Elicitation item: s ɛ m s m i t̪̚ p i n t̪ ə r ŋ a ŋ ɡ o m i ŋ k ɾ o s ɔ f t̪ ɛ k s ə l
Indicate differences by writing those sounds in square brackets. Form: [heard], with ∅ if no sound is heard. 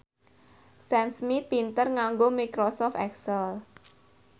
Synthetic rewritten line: s ɛ m s m i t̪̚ p i n t̪ ə r ŋ a ŋ ɡ o m i [∅] k ɾ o s ɔ f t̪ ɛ k s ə l